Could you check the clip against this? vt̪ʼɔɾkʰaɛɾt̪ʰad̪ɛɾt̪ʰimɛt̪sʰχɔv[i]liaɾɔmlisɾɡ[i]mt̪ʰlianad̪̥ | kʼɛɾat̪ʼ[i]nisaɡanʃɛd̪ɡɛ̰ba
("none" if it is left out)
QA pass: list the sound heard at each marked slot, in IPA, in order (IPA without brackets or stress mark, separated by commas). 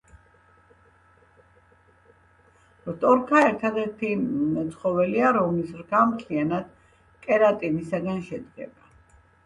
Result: ɛ, a, i